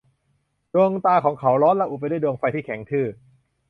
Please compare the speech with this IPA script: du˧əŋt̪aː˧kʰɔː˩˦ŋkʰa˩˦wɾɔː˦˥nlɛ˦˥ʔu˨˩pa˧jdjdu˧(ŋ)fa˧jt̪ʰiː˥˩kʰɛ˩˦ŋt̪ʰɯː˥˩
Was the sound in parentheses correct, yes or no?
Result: yes